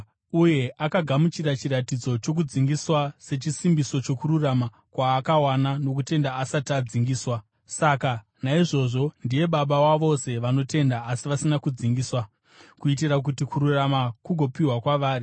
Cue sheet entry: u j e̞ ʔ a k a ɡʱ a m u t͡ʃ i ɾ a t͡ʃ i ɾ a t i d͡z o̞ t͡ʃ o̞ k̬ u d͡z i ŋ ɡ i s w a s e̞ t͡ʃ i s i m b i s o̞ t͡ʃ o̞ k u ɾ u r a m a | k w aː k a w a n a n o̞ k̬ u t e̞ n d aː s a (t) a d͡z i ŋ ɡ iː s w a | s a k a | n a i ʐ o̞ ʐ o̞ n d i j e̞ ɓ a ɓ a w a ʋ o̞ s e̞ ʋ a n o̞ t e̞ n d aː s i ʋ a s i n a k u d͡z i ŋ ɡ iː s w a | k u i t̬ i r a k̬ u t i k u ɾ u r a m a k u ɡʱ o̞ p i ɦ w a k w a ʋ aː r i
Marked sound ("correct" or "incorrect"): correct